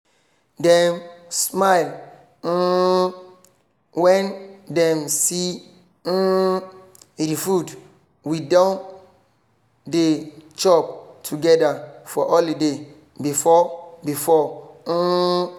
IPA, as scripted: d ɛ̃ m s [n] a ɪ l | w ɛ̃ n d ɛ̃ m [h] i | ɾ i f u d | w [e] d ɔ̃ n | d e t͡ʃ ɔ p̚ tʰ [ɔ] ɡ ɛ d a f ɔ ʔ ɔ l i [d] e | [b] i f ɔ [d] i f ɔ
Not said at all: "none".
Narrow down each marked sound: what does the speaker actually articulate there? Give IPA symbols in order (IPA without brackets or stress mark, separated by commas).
m, s, i, u, d, b, b